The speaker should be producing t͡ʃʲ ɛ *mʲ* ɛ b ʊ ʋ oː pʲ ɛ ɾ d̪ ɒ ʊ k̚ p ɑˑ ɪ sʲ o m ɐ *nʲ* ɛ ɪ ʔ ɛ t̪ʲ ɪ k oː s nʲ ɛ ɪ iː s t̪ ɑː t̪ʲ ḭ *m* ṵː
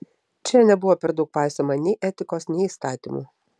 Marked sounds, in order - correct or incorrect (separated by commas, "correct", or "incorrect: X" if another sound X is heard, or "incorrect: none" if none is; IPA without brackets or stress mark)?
incorrect: nʲ, correct, correct